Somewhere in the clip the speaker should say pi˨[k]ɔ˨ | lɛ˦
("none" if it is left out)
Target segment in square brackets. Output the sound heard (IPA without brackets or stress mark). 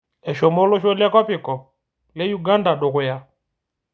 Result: k